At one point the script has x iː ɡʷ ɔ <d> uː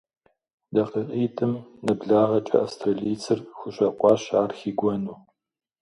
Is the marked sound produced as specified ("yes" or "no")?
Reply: no